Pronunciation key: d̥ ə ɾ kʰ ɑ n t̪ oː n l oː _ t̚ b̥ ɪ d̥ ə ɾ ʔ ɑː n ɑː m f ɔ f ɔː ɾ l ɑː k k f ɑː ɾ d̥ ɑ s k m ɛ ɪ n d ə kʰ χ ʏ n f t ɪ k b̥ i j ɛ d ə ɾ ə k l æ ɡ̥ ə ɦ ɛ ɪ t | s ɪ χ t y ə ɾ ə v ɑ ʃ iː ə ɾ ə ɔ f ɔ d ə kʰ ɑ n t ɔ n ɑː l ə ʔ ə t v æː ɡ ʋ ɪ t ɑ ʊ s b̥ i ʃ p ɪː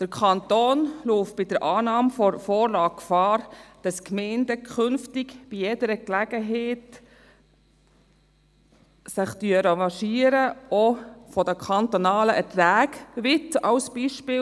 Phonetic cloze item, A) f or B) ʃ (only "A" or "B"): A